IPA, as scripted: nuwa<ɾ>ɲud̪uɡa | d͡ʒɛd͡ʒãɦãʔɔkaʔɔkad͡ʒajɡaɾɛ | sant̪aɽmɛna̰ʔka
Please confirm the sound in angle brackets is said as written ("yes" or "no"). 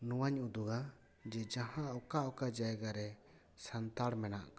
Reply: no